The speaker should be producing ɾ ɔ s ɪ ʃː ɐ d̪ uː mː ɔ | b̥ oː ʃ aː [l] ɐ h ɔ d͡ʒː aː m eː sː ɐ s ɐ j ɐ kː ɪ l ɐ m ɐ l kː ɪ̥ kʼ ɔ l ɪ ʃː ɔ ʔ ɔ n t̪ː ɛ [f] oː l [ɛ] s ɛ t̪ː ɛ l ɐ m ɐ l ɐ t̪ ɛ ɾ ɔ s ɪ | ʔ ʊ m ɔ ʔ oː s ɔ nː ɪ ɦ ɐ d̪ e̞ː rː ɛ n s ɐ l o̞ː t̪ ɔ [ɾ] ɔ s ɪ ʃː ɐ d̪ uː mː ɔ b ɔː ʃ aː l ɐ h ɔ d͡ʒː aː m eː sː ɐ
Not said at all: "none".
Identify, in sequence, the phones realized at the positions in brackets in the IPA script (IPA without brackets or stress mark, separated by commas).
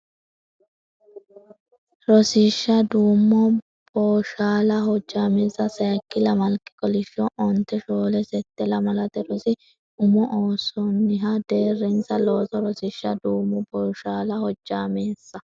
l, ʃ, ɛ, ɾ